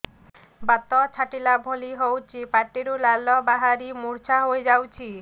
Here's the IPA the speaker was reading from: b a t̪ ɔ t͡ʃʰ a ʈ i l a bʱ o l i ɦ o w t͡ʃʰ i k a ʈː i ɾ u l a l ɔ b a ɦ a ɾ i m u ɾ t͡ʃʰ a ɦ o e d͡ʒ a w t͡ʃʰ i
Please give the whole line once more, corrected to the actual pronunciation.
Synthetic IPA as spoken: b a t̪ ɔ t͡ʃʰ a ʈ i l a bʱ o l i ɦ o w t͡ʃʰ i p a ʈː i ɾ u l a l ɔ b a ɦ a ɾ i m u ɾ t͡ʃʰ a ɦ o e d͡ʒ a w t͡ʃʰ i